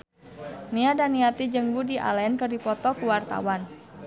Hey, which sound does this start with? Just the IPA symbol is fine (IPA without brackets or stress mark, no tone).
n